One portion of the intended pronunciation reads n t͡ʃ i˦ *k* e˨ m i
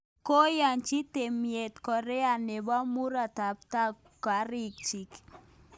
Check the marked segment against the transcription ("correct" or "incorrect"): incorrect